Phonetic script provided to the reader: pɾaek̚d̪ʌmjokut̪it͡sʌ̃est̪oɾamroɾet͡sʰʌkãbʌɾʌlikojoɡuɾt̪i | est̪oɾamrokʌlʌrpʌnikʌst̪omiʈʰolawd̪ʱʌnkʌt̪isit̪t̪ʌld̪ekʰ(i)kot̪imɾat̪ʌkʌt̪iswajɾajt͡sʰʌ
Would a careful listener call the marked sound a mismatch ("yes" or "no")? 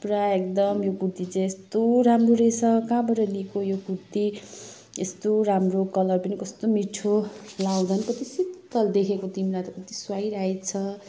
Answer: yes